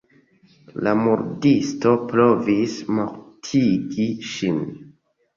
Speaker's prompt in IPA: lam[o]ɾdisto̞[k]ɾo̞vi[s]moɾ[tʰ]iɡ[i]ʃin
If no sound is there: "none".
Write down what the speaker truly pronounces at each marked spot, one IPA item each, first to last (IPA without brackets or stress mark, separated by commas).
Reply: u, p, s, tʰ, i